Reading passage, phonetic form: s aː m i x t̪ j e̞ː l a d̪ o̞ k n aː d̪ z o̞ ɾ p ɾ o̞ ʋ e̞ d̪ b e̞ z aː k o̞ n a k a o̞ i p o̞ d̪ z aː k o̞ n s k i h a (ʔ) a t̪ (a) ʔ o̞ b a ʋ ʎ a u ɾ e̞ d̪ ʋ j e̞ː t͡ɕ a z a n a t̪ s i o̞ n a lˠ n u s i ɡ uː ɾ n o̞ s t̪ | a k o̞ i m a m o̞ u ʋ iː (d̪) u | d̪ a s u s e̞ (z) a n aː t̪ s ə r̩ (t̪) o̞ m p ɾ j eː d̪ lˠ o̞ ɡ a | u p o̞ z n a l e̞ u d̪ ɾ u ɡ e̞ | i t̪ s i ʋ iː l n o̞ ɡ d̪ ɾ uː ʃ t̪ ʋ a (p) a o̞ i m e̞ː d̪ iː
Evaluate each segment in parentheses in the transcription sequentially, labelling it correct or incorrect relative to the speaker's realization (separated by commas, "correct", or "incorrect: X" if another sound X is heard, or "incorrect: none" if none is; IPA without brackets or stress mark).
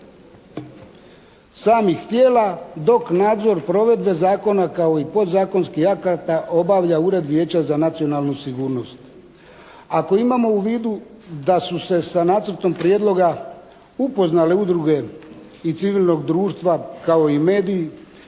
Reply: incorrect: k, correct, correct, incorrect: s, correct, incorrect: k